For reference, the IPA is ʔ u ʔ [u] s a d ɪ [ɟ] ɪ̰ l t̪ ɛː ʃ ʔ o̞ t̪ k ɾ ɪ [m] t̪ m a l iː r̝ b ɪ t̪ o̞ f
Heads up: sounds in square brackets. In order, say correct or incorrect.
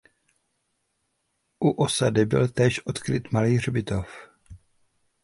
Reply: incorrect: o, incorrect: b, incorrect: none

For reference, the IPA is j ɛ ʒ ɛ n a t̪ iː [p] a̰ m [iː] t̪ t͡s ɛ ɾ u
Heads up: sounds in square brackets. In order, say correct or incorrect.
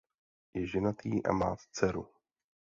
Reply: incorrect: ʔ, incorrect: aː

